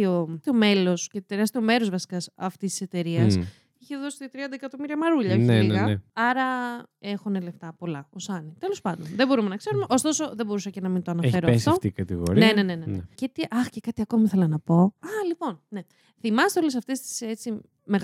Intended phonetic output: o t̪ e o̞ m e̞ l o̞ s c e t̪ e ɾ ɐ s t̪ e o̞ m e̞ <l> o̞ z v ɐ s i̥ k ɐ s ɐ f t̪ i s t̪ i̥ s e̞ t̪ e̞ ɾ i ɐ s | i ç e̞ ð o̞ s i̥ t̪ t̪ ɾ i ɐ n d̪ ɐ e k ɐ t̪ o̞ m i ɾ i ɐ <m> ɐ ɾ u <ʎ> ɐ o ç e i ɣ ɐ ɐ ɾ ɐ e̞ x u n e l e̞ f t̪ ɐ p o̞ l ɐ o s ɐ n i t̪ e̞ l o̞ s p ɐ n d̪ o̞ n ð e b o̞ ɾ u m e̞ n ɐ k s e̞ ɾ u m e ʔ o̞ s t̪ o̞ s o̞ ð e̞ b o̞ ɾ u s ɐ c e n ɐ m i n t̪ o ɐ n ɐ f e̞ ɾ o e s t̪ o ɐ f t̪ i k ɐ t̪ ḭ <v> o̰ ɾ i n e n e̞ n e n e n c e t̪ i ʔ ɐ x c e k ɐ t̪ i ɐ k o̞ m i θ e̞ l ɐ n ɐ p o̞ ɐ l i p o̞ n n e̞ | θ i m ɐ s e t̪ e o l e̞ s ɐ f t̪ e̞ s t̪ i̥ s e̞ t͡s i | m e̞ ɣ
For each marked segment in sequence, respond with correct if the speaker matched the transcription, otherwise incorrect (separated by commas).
incorrect, correct, correct, incorrect